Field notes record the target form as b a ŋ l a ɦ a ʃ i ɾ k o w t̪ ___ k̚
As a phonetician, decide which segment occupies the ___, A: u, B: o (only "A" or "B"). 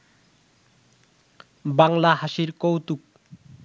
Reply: A